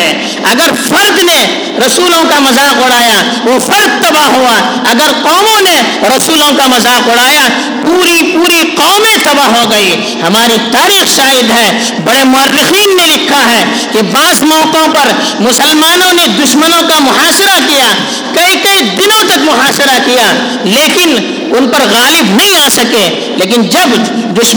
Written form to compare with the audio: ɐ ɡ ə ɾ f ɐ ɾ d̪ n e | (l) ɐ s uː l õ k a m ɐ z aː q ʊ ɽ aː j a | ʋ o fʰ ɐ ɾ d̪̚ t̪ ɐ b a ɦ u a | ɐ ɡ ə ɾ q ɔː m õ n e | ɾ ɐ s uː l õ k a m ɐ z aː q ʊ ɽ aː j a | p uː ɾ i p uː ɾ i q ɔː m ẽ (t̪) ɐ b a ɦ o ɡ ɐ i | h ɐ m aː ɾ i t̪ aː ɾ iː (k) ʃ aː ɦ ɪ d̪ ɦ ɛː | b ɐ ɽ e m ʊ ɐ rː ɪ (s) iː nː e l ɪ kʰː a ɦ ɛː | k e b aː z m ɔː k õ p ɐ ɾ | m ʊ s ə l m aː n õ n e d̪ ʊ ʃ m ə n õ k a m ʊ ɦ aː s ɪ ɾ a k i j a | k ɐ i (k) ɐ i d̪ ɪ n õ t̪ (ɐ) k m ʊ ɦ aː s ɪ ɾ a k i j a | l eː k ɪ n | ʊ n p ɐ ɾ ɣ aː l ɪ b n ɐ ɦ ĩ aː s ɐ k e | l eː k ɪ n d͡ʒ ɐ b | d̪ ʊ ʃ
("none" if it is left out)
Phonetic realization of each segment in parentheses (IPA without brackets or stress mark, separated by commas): ɾ, t̪, x, x, k, ɐ